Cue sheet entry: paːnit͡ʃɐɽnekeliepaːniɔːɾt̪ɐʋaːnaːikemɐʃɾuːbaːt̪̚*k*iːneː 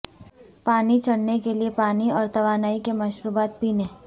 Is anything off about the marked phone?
yes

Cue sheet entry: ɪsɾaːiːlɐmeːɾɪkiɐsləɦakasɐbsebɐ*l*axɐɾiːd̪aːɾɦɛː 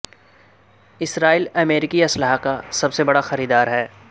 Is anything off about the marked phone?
yes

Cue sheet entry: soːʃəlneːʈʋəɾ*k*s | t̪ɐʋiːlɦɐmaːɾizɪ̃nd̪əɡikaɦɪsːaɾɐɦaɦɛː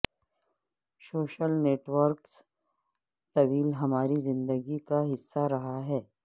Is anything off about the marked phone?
no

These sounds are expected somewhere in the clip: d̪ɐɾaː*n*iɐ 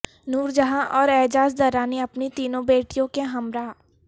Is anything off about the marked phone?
no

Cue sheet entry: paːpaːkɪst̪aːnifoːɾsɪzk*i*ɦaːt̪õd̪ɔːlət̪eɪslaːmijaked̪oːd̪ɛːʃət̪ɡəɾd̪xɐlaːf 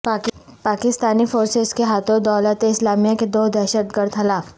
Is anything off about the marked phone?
yes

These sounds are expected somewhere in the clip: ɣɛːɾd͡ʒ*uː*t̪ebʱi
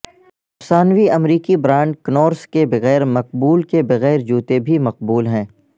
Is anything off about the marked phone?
no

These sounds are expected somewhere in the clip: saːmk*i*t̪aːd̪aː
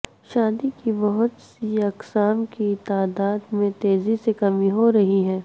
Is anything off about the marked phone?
no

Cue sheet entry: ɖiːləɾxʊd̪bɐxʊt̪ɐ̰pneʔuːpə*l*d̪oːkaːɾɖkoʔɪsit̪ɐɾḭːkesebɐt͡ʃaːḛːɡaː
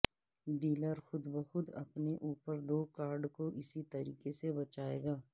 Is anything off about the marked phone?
yes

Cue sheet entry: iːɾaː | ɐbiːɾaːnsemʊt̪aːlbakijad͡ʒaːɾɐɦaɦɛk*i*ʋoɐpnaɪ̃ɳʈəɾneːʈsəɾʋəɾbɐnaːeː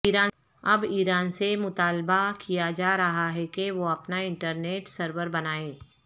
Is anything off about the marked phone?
yes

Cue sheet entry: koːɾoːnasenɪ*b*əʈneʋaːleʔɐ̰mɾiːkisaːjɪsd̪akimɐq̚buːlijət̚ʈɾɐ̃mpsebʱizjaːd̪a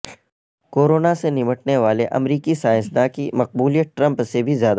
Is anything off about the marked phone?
yes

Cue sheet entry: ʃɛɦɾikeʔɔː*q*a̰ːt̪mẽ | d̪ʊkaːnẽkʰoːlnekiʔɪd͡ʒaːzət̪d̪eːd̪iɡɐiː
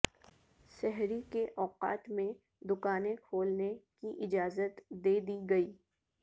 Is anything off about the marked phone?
no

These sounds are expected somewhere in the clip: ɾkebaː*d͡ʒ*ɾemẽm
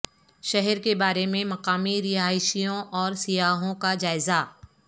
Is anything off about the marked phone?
yes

